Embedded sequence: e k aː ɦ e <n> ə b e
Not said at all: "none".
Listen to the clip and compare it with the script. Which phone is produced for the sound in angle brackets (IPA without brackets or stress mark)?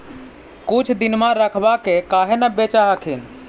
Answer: n